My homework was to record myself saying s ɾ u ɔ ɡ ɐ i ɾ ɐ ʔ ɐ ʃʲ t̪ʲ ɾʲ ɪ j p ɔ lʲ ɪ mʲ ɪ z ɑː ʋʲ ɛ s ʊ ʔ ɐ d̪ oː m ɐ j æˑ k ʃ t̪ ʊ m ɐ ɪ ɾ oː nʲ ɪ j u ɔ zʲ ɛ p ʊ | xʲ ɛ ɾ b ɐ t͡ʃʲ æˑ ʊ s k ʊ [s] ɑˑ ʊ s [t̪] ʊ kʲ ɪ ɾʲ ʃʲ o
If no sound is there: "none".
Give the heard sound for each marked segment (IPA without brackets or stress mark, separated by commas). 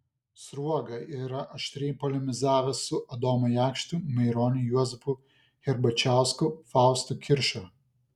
f, t̪